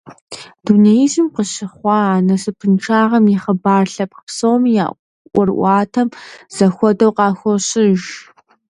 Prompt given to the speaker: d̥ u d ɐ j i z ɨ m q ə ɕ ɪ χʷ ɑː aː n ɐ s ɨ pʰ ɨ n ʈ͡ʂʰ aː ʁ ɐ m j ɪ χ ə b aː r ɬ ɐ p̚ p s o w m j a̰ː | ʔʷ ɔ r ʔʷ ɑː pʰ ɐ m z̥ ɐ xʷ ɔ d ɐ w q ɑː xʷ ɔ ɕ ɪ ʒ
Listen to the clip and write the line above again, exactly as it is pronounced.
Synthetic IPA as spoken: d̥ u n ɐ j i z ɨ m q ə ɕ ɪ χʷ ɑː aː n ɐ s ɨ pʰ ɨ n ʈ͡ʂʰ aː ʁ ɐ m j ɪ χ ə b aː r ɬ ɐ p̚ p s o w m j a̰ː | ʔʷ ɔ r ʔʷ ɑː tʰ ɐ m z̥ ɐ xʷ ɔ d ɐ w q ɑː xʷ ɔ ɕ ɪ ʒ